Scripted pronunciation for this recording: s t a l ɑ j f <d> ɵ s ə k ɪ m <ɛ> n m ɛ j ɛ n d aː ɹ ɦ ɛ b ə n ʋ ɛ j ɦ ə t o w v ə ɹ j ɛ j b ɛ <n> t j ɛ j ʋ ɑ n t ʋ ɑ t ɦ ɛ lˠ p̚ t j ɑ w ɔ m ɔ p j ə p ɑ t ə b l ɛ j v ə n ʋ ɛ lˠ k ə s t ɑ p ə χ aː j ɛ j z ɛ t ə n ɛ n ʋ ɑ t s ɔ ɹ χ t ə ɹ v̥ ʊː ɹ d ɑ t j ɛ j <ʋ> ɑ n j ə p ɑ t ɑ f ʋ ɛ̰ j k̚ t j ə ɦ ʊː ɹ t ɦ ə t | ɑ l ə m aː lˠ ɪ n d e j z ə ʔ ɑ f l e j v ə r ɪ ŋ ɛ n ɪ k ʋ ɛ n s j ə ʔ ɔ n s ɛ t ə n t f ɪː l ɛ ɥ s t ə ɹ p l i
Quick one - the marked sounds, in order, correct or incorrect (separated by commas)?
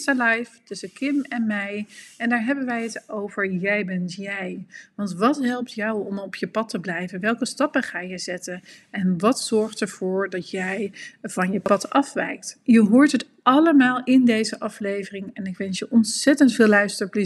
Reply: incorrect, correct, correct, incorrect